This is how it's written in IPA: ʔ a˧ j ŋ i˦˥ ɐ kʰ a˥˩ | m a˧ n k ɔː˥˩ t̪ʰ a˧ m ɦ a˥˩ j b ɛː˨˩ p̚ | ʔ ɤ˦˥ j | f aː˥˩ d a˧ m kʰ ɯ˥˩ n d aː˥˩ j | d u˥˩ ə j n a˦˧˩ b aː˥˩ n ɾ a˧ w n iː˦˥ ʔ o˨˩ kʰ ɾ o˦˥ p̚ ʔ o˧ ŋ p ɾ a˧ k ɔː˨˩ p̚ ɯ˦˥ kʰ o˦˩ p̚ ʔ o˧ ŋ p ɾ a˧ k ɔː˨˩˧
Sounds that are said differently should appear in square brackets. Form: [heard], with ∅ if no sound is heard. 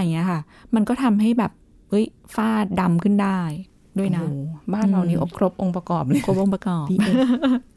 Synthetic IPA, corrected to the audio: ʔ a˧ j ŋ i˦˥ ɐ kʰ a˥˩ | m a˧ n k ɔː˥˩ t̪ʰ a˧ m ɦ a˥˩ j b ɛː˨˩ p̚ | ʔ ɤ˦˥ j | f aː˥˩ d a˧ m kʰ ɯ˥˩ n d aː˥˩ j | d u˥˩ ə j n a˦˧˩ b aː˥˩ n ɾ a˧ w n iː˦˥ ʔ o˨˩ kʰ ɾ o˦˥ p̚ ʔ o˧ ŋ p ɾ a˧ k ɔː˨˩ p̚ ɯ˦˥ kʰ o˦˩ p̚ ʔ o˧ ŋ p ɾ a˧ k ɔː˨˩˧